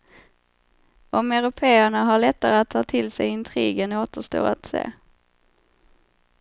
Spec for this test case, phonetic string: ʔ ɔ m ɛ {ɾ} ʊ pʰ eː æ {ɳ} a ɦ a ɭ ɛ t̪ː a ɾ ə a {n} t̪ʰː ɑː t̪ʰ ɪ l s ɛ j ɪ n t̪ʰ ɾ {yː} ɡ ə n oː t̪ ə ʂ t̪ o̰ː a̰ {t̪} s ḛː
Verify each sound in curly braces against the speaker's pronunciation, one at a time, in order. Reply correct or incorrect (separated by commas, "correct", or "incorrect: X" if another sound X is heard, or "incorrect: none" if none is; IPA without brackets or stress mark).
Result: correct, correct, incorrect: none, incorrect: iː, correct